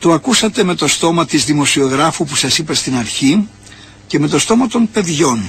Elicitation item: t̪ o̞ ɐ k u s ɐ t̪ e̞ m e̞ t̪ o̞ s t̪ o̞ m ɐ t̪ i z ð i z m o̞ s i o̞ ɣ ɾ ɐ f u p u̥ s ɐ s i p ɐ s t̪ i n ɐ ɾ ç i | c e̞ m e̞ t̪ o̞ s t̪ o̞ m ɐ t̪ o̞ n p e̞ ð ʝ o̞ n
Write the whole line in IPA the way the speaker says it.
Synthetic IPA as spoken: t̪ o̞ ɐ k u s ɐ t̪ e̞ m e̞ t̪ o̞ s t̪ o̞ m ɐ t̪ i z ð i m o̞ s i o̞ ɣ ɾ ɐ f u p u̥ s ɐ s i p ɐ s t̪ i n ɐ ɾ ç i | c e̞ m e̞ t̪ o̞ s t̪ o̞ m ɐ t̪ o̞ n p e̞ ð ʝ o̞ n